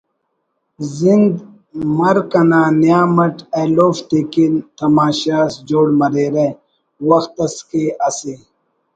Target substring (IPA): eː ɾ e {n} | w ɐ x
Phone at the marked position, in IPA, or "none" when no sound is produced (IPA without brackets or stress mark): none